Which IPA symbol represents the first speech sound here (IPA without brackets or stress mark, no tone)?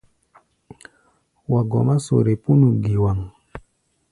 w